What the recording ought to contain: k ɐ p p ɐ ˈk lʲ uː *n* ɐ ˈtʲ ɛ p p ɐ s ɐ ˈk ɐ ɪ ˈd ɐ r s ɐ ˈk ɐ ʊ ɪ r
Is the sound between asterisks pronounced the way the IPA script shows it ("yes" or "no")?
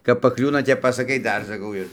yes